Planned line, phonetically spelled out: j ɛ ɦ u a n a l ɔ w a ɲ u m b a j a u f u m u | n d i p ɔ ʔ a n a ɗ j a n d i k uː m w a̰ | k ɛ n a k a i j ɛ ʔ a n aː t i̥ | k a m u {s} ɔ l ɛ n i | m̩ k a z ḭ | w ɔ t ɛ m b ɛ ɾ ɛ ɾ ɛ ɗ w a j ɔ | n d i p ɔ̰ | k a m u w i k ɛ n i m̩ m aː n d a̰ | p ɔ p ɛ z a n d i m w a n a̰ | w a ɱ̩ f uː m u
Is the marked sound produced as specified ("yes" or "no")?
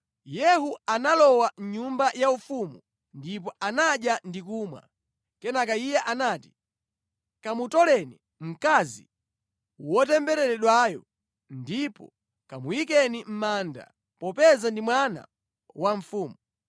no